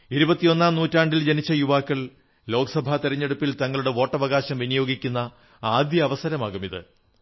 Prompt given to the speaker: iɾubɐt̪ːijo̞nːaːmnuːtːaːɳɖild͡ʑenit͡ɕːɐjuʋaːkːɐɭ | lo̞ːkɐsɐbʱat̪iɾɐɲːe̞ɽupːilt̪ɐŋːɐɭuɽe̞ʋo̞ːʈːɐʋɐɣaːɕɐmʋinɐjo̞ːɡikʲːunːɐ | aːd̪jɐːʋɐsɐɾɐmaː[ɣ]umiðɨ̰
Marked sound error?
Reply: no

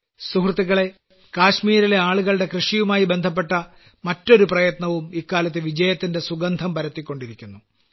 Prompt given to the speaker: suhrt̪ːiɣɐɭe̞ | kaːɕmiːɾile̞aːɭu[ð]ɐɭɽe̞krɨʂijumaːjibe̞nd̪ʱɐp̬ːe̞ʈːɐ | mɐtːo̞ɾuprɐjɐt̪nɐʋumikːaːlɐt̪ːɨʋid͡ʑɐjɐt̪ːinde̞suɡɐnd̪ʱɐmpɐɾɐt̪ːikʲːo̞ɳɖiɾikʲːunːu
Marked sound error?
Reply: yes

